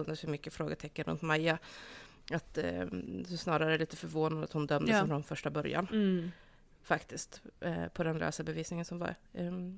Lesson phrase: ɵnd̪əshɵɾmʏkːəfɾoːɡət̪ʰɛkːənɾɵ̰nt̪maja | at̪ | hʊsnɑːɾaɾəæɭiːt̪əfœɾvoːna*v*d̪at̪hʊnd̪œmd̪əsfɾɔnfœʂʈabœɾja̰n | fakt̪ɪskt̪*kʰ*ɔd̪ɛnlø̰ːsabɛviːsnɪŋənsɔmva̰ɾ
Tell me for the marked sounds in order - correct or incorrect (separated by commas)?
incorrect, incorrect